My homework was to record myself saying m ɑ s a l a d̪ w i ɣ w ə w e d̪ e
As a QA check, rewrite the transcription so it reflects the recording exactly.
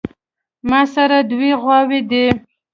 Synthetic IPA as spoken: m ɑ s a ɾ a d̪ w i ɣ w ɑ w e d̪ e

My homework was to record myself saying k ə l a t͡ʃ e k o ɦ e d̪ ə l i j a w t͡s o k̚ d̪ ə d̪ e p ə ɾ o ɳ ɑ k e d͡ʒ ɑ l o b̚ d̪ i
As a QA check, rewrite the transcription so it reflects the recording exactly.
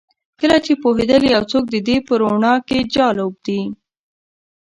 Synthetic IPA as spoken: k ə l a t͡ʃ e p o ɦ e d̪ ə l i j a w t͡s o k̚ d̪ ə d̪ e p ə ɾ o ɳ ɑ k e d͡ʒ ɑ l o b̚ d̪ i

